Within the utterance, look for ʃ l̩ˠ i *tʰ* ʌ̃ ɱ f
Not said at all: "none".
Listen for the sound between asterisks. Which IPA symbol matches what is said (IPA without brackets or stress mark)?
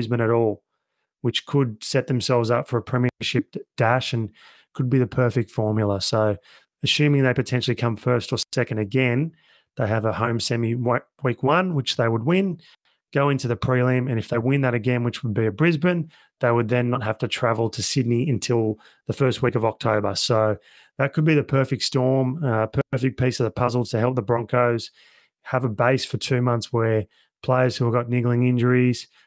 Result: kʰ